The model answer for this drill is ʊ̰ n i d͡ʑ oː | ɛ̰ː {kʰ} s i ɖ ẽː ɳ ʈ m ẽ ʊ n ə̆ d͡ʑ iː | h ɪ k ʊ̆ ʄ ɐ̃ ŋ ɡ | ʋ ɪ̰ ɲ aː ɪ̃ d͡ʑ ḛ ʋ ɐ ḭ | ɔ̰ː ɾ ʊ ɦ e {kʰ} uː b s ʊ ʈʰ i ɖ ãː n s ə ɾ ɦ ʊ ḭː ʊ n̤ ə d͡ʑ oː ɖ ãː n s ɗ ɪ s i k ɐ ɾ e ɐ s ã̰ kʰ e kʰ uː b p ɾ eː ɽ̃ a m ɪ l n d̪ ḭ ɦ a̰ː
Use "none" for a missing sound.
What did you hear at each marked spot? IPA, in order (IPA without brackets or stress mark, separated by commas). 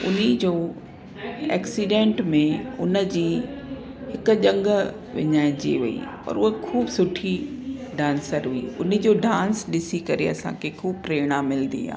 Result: k, kʰ